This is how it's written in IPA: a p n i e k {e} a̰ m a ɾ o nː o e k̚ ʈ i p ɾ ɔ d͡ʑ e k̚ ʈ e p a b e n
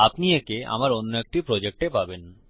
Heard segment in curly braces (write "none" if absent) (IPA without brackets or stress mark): e